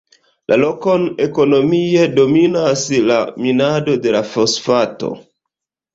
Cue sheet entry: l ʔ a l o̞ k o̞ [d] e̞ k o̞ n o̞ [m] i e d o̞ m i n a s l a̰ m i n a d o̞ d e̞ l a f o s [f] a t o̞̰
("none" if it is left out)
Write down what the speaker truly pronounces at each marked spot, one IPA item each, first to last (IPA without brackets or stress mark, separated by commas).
n, m, f